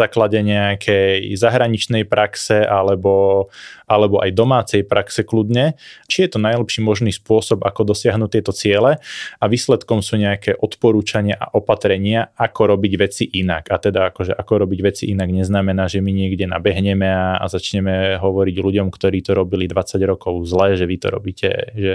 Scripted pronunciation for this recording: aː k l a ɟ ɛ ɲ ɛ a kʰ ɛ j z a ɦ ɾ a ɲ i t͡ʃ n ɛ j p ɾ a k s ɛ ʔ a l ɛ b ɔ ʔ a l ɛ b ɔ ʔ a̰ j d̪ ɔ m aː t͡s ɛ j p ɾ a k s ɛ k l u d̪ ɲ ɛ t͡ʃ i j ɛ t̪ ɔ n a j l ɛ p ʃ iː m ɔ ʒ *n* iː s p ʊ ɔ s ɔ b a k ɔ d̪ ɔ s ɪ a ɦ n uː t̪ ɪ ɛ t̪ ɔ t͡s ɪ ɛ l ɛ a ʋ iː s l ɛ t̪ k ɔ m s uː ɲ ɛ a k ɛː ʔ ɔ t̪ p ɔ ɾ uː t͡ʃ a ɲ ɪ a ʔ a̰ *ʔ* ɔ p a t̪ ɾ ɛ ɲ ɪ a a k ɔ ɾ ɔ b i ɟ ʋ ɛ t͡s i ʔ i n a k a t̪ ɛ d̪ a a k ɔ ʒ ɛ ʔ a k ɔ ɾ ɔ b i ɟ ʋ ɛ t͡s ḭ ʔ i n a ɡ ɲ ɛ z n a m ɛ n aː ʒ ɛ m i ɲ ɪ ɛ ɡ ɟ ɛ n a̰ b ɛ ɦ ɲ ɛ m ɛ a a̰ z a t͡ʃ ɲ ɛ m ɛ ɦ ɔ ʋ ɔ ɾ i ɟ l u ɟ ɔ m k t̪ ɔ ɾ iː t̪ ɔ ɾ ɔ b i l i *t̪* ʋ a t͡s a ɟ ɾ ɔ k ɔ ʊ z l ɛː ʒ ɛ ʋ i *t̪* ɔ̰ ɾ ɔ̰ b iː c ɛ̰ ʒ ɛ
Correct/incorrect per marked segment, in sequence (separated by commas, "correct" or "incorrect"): correct, correct, incorrect, correct